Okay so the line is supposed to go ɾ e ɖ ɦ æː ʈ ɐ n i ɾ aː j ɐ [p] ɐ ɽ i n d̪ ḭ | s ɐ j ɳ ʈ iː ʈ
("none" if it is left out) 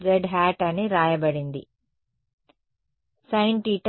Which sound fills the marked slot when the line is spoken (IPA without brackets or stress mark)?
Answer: b